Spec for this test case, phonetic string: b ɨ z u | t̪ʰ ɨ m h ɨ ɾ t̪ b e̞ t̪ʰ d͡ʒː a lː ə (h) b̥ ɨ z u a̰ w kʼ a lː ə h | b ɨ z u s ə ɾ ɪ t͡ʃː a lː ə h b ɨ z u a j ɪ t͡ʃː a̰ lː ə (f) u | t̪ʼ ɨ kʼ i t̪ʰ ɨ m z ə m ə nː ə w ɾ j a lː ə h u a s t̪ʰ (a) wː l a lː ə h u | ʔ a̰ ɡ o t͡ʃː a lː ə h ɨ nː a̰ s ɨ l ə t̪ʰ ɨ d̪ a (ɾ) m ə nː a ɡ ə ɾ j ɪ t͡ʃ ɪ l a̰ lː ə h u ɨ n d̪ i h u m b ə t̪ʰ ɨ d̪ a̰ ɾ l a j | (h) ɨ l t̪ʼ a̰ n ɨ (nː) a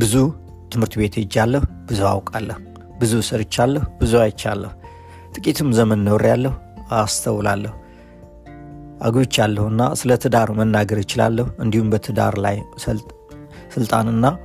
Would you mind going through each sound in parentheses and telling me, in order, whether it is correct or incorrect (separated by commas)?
correct, incorrect, incorrect, correct, incorrect, correct